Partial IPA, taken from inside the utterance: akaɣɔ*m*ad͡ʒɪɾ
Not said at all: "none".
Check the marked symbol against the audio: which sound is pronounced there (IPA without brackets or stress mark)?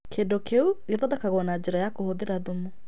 n